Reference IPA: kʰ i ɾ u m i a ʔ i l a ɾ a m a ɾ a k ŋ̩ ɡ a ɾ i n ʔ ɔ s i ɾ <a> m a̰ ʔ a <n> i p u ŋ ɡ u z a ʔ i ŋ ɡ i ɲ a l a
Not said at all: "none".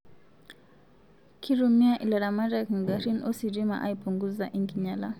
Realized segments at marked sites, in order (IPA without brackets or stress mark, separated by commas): i, none